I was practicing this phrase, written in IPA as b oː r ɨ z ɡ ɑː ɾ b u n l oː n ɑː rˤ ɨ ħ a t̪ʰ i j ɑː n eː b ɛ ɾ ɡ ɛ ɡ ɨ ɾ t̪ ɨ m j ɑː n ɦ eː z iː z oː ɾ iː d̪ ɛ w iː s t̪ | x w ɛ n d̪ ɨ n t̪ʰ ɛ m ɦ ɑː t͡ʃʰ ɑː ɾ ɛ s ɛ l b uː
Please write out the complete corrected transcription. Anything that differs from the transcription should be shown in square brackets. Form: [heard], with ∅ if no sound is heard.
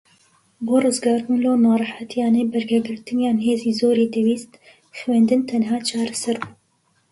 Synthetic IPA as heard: b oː r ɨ z ɡ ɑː ɾ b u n l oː n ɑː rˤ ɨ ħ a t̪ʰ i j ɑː n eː b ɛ ɾ ɡ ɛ ɡ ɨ ɾ t̪ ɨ [n] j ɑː n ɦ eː z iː z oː ɾ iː d̪ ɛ w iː s t̪ | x w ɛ n d̪ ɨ n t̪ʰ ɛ [n] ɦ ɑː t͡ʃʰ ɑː ɾ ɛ s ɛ [ɾ] b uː

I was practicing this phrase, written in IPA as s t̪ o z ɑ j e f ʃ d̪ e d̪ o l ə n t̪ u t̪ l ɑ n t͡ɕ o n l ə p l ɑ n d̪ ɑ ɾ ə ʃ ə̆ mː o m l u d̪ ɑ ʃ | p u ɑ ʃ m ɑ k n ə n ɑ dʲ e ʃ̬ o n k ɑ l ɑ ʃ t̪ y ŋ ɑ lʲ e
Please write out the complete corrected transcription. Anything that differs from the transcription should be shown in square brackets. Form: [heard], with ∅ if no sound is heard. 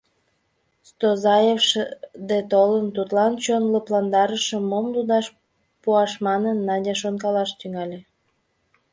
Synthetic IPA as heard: s t̪ o z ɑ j e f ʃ d̪ e [t̪] o l ə n t̪ u t̪ l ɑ n t͡ɕ o n l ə p l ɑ n d̪ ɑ ɾ ə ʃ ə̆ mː o m l u d̪ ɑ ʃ | p u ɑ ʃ m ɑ [∅] n ə [nː] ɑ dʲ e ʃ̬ o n k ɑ l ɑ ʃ t̪ y ŋ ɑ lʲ e

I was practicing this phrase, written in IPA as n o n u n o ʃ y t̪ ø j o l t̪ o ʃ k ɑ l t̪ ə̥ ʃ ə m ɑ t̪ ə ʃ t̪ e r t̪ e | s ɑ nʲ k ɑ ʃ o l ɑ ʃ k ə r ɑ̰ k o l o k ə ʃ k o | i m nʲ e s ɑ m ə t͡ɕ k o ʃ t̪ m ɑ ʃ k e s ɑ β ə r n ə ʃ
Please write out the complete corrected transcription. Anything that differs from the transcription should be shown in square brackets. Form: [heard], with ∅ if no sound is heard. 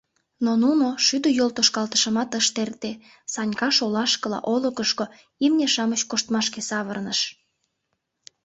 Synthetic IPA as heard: n o n u n o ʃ y [d̪] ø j o l t̪ o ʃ k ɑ l t̪ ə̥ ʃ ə m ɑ t̪ ə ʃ t̪ e r t̪ e | s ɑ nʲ k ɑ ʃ o l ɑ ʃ k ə [l] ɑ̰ [ʔ] o l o k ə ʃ k o | i m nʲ e [ʃ] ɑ m ə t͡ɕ k o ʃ t̪ m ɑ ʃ k e s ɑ β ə r n ə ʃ

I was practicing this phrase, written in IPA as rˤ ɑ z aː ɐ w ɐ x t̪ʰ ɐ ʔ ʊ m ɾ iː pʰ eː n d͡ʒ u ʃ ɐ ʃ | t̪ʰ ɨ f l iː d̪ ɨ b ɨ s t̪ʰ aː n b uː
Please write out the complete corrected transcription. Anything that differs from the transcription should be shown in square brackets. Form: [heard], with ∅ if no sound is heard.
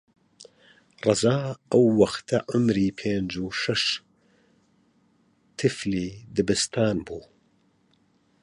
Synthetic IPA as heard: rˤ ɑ z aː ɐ [wː] ɐ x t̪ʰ ɐ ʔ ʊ m ɾ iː pʰ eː n d͡ʒ u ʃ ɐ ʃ | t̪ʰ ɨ f l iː d̪ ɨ b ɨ s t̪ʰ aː n b uː

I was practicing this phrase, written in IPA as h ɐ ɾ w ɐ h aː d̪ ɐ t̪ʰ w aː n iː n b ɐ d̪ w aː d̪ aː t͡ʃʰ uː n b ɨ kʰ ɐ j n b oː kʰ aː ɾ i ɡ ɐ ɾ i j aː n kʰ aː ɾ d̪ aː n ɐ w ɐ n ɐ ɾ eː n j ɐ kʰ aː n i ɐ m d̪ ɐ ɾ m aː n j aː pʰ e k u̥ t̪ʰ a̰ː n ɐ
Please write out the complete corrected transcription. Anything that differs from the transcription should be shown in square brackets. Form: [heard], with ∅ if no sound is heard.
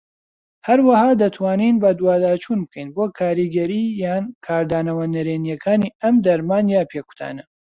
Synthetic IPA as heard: h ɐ ɾ w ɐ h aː d̪ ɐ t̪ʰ w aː n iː n b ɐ d̪ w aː d̪ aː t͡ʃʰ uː n b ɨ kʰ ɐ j n b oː kʰ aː ɾ i ɡ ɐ ɾ i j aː n kʰ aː ɾ d̪ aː n ɐ w ɐ n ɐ ɾ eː n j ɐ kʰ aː n i ɐ m d̪ ɐ ɾ m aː n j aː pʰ e k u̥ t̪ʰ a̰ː n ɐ

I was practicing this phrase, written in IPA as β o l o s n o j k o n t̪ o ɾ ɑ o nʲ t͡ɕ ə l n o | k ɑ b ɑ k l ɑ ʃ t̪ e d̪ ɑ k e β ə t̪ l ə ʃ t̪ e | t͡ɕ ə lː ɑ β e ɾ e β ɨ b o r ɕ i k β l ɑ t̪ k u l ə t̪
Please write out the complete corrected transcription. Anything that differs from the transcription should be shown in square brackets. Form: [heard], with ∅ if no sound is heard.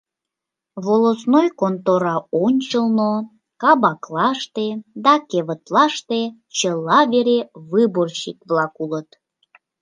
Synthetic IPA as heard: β o l o s n o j k o n t̪ o ɾ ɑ o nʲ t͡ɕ ə l n o | k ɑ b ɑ k l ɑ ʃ t̪ e d̪ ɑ k e β ə t̪ l [ɑ] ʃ t̪ e | t͡ɕ ə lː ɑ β e ɾ e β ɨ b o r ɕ i k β l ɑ [∅] k u l ə t̪

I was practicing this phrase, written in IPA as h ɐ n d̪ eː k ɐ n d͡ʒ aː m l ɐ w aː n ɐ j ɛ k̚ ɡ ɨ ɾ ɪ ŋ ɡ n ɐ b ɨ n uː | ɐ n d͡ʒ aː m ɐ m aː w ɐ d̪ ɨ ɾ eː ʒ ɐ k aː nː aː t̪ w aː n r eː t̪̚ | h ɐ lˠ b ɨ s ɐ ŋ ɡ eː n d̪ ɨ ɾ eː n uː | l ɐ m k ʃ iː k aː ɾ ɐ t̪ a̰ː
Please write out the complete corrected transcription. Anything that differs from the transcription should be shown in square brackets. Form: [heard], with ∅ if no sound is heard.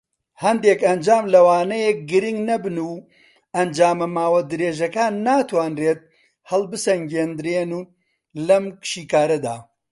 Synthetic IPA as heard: h ɐ n d̪ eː k ɐ n d͡ʒ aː m l ɐ w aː n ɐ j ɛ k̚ ɡ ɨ ɾ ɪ ŋ ɡ n ɐ b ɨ n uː | ɐ n d͡ʒ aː m ɐ m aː w ɐ d̪ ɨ ɾ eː ʒ ɐ k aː nː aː t̪ w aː n r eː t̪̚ | h ɐ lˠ b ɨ s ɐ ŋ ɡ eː n d̪ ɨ ɾ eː n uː | l ɐ m k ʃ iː k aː ɾ ɐ [d̪] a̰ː

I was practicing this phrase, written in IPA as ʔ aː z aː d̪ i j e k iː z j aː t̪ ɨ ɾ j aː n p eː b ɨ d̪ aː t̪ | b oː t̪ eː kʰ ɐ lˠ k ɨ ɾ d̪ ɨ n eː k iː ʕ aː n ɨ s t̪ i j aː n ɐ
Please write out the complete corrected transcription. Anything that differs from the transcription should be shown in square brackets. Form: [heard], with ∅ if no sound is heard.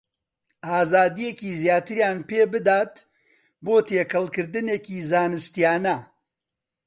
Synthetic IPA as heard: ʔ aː z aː d̪ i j e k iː z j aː t̪ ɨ ɾ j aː n p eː b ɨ d̪ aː t̪ | b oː t̪ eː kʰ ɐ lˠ k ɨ ɾ d̪ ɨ n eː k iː [z] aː n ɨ s t̪ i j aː n ɐ

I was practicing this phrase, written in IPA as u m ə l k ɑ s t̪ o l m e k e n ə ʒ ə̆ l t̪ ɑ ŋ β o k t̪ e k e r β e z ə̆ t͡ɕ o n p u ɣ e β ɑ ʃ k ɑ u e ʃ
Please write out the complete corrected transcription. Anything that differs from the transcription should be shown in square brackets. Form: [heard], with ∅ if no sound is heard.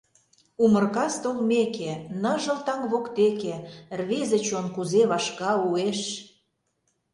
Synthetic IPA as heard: u m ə [r] k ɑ s t̪ o l m e k e n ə ʒ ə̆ l t̪ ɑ ŋ β o k t̪ e k e r β e z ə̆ t͡ɕ o n [k] u [z] e β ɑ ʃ k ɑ u e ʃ

